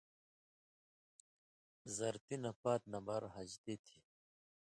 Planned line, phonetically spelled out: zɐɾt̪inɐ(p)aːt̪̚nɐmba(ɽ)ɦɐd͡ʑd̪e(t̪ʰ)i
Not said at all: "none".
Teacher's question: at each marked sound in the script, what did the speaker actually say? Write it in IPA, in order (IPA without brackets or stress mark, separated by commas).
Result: p, ɾ, t̪ʰ